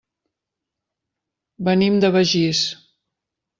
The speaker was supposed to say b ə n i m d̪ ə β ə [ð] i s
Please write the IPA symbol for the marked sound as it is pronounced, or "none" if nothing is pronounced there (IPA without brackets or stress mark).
ʒ